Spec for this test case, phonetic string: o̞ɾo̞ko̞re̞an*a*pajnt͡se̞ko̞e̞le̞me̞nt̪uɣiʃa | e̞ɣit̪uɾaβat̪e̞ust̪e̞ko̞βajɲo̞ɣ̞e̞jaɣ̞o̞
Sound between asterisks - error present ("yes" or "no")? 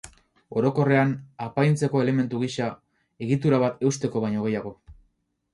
no